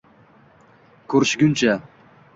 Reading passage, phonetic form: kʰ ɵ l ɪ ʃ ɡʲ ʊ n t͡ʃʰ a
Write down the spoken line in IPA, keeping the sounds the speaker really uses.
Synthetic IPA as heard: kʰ ɵ ɾ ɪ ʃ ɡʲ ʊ n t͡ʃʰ a